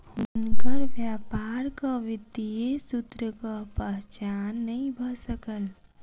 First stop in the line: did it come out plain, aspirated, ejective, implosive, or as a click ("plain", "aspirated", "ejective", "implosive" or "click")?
plain